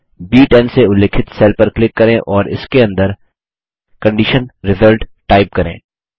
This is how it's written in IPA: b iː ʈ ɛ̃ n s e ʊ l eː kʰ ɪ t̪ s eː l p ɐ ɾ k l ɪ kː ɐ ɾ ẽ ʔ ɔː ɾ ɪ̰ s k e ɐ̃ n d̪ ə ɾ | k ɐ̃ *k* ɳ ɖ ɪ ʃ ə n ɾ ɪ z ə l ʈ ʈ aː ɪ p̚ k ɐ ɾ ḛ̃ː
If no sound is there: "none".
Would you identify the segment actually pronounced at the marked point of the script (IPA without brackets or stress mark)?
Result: none